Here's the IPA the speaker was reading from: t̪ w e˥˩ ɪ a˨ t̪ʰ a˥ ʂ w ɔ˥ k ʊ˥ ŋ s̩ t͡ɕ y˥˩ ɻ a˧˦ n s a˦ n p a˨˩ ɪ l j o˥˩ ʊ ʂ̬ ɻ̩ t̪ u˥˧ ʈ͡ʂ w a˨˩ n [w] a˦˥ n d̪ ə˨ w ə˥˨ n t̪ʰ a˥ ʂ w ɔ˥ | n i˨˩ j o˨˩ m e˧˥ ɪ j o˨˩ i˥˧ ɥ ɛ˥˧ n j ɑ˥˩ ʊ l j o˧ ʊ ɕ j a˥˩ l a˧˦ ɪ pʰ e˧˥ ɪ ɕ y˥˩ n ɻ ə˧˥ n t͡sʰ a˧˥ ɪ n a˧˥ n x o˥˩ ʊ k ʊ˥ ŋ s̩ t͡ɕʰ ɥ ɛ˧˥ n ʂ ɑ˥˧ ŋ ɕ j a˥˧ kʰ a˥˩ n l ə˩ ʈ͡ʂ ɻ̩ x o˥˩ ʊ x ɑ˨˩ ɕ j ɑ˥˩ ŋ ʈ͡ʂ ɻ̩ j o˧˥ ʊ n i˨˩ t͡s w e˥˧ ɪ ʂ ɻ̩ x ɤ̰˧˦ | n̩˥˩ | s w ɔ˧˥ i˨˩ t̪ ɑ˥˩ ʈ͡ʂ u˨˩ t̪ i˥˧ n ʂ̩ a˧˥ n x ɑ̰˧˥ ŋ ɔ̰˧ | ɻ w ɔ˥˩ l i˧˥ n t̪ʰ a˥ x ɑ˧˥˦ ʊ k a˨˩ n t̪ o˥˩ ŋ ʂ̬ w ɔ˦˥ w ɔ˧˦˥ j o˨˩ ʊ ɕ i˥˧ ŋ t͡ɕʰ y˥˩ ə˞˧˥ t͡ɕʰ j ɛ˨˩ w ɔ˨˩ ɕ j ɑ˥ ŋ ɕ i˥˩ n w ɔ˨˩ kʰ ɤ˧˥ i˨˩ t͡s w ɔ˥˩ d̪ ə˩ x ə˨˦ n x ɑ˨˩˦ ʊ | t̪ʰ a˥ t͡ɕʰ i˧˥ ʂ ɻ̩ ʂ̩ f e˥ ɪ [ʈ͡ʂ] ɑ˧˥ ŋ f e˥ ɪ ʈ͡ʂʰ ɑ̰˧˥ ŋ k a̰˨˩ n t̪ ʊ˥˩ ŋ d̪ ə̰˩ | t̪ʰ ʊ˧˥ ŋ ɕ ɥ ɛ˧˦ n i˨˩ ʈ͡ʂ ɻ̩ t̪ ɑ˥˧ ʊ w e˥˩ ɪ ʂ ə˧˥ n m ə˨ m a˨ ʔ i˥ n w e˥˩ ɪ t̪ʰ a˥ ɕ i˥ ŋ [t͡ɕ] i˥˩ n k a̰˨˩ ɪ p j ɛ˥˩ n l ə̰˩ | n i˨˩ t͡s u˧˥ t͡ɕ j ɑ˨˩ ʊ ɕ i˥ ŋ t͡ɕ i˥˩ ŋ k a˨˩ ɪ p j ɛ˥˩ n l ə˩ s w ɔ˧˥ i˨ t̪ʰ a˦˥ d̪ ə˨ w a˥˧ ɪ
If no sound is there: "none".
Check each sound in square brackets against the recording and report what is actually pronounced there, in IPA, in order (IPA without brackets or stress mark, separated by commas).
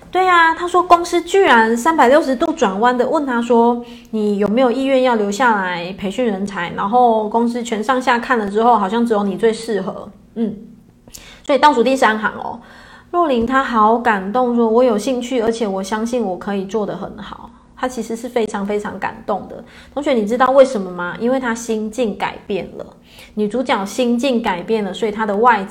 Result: w, ʈ͡ʂʰ, t͡ɕ